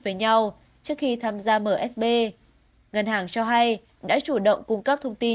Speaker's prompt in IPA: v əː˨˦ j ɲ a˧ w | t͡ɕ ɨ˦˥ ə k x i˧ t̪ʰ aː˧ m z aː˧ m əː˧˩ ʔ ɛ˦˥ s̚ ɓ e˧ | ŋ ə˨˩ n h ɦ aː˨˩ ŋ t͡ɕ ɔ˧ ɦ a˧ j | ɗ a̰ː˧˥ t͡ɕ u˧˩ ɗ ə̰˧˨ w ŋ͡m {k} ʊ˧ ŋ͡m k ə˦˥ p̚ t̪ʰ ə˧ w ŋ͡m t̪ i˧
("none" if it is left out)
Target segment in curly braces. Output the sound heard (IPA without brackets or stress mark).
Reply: k